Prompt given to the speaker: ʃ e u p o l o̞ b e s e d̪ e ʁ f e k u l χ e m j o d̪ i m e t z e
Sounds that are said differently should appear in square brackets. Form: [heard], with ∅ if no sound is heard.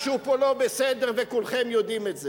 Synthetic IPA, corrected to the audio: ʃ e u p o l o̞ b e s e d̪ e ʁ [v] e k u l χ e m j o d̪ i m e t z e